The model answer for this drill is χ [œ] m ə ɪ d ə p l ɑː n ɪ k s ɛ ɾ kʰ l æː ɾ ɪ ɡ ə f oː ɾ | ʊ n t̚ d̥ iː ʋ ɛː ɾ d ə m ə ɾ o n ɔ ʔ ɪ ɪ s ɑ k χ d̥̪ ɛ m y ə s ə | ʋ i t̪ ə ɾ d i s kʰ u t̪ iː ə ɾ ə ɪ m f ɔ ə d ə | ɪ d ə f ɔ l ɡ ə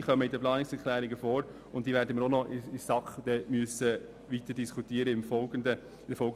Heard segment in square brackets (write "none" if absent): œ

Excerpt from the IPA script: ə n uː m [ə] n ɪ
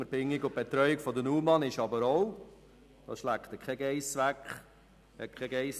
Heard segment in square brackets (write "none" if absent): ɑ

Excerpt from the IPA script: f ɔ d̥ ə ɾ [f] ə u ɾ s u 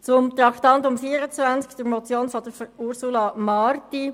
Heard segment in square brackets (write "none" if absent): f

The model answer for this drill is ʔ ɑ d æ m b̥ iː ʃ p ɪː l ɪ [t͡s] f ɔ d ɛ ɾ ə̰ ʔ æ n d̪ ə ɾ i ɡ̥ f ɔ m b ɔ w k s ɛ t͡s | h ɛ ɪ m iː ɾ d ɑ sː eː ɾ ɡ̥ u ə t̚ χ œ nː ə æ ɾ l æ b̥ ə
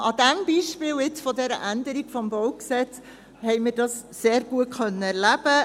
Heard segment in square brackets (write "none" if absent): t͡s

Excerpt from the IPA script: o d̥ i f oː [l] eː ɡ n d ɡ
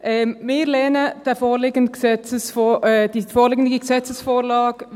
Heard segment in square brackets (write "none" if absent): l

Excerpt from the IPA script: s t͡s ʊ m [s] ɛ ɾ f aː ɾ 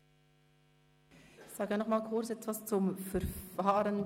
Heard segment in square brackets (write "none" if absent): f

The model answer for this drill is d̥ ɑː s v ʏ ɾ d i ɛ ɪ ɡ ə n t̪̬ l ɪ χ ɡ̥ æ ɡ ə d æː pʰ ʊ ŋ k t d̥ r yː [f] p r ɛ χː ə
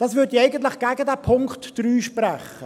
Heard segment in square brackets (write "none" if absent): ʃ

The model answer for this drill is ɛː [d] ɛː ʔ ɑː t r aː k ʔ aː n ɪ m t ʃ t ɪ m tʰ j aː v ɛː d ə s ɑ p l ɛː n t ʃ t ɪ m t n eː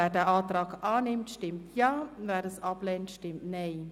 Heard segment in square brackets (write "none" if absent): d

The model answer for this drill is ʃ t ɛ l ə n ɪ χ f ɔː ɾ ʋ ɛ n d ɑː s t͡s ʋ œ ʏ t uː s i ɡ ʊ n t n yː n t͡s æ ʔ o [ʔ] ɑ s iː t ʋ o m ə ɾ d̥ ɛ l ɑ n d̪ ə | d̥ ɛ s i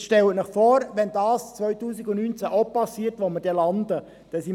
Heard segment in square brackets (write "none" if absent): p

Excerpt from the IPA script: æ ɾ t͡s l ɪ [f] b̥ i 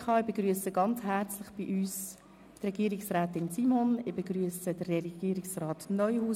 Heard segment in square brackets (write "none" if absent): χ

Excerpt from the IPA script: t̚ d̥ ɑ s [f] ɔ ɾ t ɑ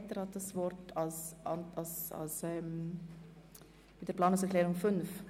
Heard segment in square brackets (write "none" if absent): v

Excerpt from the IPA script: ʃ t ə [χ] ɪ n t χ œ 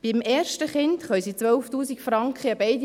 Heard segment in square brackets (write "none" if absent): χ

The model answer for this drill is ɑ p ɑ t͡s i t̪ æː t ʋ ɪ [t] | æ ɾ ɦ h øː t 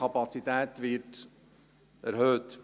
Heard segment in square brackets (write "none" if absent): t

